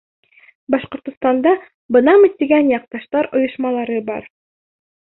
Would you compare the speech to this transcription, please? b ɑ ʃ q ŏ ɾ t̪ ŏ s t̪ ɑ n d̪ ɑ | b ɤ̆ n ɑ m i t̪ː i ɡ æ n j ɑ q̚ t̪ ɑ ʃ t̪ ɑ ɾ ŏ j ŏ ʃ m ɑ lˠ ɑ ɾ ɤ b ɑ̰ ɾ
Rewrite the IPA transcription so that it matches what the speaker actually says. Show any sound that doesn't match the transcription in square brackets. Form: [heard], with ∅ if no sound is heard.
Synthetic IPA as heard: b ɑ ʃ q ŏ ɾ t̪ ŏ s t̪ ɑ n d̪ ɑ | b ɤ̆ n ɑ m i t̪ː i ɡ æ n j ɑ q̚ t̪ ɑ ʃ t̪ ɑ ɾ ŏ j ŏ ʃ m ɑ lˠ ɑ ɾ ɤ b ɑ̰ ɾ

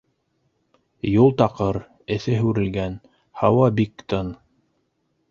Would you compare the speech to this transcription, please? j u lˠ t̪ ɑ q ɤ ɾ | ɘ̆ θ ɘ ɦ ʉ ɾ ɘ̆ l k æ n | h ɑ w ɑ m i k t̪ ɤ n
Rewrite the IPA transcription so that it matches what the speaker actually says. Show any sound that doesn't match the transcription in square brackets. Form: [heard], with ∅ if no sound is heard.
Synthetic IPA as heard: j u lˠ t̪ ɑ q ɤ ɾ | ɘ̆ θ ɘ ɦ ʉ ɾ ɘ̆ l [ɡ] æ n | h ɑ w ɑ [b] i k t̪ ɤ n

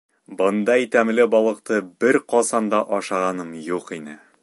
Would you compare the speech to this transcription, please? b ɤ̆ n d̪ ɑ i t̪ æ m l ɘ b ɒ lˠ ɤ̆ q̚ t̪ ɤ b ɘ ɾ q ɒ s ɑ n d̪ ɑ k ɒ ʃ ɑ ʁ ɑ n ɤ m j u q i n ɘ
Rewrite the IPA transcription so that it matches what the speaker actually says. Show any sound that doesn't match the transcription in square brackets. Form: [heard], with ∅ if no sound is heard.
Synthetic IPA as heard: b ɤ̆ n d̪ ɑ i t̪ æ m l ɘ b ɒ lˠ ɤ̆ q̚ t̪ ɤ b ɘ ɾ q ɒ s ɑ n d̪ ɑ [ʔ] ɒ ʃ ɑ ʁ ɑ n ɤ m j u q i n ɘ

